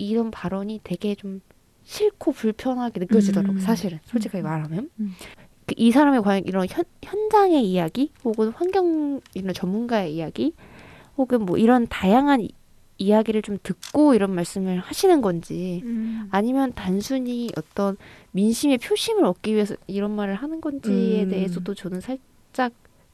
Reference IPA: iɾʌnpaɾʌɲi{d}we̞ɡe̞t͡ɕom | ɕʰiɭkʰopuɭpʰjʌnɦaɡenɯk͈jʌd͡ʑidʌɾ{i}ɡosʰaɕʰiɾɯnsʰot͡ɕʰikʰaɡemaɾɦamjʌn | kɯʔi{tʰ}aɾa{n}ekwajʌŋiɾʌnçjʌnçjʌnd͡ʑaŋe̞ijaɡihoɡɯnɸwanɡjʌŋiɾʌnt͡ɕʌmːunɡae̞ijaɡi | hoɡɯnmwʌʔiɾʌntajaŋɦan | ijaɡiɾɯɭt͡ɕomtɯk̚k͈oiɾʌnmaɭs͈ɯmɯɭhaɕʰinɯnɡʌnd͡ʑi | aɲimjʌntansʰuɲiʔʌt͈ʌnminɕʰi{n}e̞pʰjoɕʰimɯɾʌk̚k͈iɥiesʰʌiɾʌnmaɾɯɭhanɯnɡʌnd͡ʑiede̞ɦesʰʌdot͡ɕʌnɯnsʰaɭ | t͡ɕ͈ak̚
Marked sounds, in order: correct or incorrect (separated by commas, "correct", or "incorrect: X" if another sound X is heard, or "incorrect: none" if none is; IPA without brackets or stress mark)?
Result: incorrect: t, incorrect: a, incorrect: sʰ, incorrect: m, incorrect: m